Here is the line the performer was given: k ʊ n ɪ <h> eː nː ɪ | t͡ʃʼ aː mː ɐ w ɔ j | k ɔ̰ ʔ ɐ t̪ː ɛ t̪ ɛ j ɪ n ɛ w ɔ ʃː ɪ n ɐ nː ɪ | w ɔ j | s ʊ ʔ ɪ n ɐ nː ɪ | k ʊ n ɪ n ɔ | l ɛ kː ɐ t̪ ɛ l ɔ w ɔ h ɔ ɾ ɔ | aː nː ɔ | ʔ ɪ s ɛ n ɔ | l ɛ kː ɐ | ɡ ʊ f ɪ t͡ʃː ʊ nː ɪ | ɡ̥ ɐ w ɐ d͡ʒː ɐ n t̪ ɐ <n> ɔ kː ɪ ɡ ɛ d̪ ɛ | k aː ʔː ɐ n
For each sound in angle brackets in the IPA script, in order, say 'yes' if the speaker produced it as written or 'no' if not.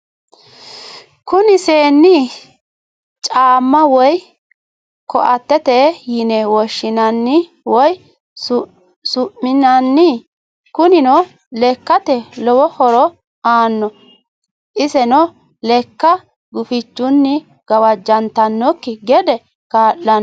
no, no

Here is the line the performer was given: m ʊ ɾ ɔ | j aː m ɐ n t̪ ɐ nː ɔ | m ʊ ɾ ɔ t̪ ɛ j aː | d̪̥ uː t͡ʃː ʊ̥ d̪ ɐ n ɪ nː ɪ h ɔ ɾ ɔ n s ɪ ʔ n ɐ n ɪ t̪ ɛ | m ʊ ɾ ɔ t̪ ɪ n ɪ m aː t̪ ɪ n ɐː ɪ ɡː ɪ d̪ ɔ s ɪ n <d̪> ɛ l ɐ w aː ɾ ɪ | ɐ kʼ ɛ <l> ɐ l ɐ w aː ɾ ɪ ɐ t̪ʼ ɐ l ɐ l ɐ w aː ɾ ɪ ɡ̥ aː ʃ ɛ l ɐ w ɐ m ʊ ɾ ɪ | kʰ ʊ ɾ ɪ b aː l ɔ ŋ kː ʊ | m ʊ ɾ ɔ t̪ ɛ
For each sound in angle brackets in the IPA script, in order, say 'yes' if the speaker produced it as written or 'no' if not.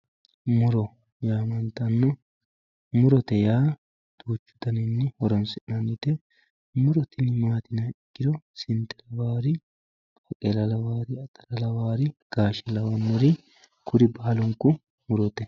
no, yes

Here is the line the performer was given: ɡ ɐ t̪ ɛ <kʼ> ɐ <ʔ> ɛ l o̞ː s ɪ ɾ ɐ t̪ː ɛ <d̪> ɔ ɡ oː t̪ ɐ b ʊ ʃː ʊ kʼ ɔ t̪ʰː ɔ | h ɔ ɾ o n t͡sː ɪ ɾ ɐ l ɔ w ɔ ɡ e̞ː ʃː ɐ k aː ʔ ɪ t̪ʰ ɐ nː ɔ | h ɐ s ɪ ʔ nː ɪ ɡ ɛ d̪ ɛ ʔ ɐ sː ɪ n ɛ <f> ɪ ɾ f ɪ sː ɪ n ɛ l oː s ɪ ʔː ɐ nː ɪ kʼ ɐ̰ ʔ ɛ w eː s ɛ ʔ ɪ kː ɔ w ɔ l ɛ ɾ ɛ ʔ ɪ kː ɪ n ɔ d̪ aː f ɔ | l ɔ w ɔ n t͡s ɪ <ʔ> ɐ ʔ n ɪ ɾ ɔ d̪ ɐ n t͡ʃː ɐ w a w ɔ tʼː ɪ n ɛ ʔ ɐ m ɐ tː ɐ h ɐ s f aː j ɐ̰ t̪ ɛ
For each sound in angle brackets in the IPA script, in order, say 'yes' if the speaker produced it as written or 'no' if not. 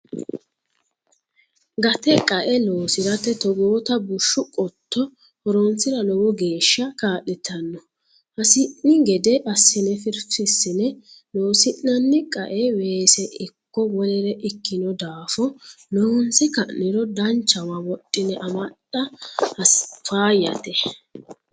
yes, yes, no, yes, no

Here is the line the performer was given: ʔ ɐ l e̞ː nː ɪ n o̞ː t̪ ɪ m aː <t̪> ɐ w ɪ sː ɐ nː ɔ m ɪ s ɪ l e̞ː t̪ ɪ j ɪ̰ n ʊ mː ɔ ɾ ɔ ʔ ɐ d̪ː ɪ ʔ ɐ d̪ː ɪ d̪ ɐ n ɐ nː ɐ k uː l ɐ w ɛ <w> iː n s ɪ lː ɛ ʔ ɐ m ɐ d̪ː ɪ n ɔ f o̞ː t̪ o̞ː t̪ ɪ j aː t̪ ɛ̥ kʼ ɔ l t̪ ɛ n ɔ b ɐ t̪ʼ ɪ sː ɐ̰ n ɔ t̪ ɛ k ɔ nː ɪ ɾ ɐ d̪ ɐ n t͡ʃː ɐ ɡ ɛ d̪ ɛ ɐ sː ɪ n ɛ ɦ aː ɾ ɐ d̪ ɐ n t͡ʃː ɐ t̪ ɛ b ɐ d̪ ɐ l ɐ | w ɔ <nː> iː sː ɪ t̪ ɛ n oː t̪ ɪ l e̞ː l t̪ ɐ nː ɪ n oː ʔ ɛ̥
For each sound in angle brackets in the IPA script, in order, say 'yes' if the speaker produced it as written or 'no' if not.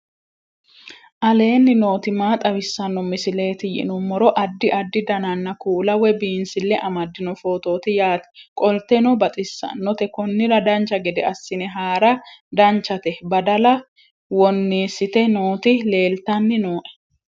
no, no, yes

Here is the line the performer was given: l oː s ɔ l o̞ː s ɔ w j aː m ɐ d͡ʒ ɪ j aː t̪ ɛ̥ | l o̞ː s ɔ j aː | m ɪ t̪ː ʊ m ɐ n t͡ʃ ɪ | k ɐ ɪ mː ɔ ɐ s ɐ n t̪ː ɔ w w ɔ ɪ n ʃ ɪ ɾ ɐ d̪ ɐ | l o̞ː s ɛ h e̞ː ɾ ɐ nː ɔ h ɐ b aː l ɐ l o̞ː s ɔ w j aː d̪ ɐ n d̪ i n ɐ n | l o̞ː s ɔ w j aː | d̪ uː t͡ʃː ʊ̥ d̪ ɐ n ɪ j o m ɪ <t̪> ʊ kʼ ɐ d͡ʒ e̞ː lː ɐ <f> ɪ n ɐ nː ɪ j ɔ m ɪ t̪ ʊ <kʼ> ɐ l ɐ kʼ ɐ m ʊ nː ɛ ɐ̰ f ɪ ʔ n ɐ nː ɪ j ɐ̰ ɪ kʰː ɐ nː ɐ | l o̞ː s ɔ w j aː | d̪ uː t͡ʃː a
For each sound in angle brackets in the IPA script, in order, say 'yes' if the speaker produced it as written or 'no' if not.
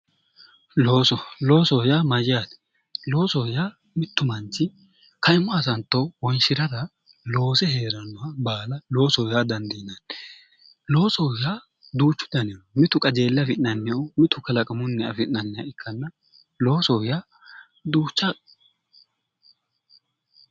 yes, yes, no

